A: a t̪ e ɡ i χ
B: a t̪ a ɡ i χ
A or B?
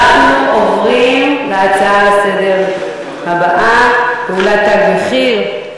B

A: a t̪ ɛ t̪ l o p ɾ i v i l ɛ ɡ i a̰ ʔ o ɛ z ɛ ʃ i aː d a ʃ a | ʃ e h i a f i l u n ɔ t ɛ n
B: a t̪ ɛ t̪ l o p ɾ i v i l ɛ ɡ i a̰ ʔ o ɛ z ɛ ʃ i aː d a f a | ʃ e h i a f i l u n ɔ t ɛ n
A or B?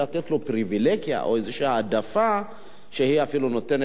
B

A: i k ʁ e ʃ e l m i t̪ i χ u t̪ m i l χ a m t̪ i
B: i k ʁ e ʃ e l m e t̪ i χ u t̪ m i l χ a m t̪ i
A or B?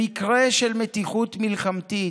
B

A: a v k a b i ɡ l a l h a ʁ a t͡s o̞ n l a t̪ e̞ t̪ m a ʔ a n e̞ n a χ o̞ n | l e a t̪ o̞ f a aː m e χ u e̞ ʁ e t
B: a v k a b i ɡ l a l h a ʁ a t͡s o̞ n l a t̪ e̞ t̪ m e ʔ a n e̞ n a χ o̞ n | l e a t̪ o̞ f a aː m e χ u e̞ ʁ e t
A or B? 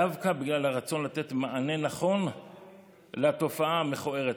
A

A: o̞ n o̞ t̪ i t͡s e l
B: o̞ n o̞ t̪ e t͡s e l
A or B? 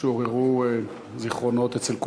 B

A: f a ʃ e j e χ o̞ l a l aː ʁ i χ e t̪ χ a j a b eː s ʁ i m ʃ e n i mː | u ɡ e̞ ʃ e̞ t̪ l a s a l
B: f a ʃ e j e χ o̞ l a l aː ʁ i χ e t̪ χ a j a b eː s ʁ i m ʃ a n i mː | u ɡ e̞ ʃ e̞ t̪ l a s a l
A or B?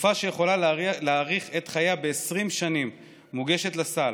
B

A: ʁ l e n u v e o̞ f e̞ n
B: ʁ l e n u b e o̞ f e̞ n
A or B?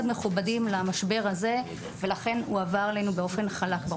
B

